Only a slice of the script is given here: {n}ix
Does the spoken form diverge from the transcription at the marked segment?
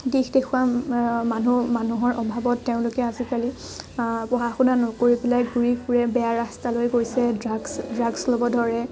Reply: yes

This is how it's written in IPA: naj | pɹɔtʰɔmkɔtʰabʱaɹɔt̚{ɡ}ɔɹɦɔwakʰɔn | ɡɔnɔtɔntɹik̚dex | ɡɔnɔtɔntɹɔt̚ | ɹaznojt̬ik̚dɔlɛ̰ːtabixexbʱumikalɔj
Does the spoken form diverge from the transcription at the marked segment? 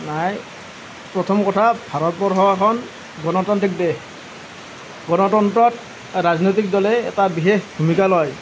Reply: yes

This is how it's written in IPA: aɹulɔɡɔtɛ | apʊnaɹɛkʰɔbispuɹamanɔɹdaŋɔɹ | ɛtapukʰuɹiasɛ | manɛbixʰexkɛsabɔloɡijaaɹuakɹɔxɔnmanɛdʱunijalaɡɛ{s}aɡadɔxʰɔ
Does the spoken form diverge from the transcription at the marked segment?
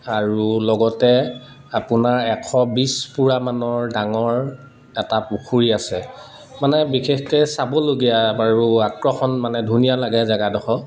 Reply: yes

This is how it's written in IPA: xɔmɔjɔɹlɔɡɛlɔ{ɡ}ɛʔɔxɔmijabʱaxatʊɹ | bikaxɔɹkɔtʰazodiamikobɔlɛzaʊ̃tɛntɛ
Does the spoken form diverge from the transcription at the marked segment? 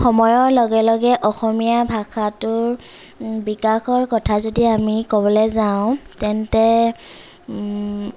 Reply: no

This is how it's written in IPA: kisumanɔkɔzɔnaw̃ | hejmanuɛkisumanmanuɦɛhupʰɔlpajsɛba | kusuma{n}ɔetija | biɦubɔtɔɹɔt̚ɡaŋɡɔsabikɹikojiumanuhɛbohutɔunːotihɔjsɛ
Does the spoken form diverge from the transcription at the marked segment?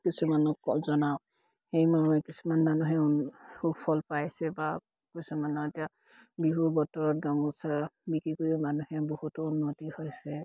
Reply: no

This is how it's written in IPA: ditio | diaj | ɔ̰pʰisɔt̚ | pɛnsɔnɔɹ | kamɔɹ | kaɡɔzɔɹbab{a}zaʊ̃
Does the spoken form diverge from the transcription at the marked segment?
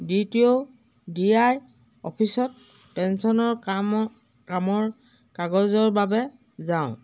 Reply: yes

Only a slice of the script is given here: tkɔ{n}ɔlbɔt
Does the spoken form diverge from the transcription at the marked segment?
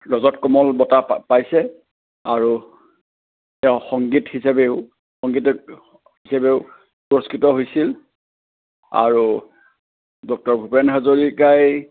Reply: yes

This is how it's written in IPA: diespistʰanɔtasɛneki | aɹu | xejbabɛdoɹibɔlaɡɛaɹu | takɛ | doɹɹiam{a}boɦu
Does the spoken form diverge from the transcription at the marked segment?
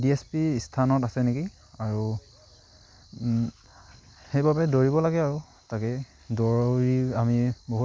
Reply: yes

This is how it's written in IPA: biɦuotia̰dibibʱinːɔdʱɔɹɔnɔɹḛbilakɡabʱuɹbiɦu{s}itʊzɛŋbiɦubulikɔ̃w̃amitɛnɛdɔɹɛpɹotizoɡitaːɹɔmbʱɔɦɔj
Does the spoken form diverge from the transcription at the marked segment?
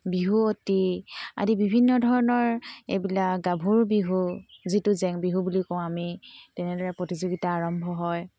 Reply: yes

